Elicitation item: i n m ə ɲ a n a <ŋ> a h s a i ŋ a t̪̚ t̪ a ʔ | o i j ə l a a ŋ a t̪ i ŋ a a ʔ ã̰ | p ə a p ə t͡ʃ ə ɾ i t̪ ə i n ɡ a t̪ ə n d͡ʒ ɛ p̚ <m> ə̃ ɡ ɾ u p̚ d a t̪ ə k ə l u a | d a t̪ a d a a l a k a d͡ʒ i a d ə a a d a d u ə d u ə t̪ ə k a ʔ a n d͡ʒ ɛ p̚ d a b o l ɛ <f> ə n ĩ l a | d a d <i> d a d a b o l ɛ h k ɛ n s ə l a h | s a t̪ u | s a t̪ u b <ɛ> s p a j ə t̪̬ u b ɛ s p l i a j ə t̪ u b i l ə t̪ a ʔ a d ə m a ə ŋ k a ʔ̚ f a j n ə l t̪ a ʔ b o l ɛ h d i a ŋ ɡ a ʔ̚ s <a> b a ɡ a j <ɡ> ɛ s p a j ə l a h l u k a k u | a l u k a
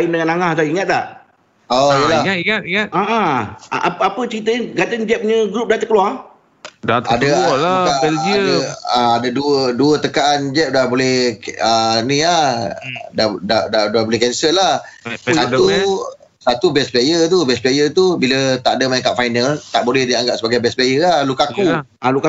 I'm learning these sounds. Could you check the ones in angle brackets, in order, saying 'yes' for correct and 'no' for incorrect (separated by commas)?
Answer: yes, no, no, no, yes, no, no